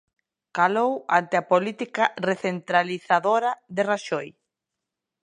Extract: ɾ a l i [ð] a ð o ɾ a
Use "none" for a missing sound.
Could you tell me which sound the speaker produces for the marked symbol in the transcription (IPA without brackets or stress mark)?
θ